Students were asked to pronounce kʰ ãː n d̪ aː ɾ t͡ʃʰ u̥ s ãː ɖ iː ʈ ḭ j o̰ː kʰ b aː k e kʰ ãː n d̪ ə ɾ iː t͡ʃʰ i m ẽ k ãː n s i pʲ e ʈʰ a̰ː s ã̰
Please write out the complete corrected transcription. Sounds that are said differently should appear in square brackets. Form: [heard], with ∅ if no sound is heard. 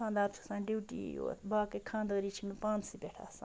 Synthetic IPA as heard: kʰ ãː n d̪ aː ɾ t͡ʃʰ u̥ s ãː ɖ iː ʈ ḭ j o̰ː [∅] b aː k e kʰ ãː n d̪ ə ɾ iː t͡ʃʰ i m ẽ [p] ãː n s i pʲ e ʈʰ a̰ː s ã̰